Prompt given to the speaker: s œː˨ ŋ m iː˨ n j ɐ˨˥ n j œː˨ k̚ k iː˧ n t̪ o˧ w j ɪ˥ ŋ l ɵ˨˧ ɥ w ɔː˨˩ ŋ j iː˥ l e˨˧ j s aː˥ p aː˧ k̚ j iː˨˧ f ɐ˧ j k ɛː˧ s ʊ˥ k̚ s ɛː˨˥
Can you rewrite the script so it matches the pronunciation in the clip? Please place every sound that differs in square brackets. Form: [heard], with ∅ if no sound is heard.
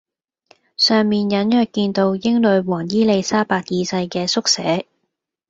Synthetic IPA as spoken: s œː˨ ŋ m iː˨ n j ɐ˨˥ n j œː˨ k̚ k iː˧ n t̪ o˧ w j ɪ˥ ŋ l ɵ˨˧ ɥ w ɔː˨˩ ŋ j iː˥ l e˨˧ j s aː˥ p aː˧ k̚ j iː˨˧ [s] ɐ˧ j k ɛː˧ s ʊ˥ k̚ s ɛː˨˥